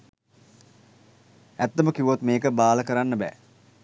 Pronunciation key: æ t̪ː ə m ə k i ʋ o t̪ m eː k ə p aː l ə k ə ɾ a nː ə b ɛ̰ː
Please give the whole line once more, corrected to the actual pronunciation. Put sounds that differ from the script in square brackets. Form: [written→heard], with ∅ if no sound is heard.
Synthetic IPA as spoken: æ t̪ː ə m ə k i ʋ o t̪ m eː k ə [p→b] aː l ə k ə ɾ a nː ə b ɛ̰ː